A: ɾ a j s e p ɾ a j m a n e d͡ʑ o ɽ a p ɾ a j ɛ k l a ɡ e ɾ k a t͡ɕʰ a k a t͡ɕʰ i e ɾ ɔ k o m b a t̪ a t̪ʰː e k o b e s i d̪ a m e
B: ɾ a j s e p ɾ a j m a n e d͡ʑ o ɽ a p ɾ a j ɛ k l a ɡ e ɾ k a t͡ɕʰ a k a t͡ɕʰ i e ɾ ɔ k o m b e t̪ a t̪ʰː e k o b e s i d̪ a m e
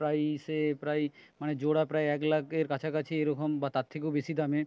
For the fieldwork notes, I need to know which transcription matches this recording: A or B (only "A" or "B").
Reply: A